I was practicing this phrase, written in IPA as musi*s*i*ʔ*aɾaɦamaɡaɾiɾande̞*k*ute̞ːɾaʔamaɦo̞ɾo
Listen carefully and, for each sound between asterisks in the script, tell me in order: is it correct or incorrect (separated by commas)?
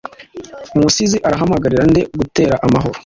incorrect, correct, incorrect